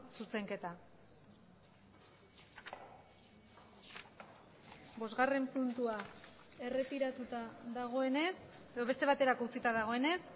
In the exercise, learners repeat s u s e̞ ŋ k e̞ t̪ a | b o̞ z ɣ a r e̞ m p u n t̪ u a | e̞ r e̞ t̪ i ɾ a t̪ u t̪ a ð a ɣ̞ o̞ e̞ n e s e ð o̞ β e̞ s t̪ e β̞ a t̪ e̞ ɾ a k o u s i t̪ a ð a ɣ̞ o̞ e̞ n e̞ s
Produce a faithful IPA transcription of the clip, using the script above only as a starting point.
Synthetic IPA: s u s e̞ ŋ k e̞ t̪ a | b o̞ z ɣ a r e̞ m p u n t̪ u a | e̞ r e̞ t̪ i ɾ a t̪ u t̪ a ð a ɣ̞ o̞ e̞ n e s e ð o̞ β e̞ s t̪ e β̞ a t̪ e̞ ɾ a k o u t͡s i t̪ a ð a ɣ̞ o̞ e̞ n e̞ s